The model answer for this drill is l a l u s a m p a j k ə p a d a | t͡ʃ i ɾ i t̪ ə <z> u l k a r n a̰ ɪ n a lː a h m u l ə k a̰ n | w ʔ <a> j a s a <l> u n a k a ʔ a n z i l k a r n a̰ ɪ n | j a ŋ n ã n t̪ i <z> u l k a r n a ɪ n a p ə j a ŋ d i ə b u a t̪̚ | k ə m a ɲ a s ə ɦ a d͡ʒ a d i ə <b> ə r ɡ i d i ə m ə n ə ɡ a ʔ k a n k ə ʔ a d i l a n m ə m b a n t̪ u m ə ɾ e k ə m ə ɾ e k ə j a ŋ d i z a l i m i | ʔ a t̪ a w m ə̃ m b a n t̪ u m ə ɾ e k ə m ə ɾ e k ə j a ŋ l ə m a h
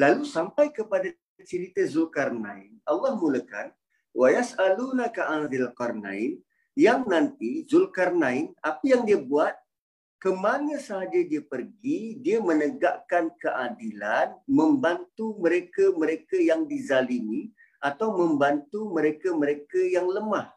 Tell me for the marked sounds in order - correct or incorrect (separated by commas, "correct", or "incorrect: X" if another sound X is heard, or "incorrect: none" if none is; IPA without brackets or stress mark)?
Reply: correct, correct, correct, correct, incorrect: p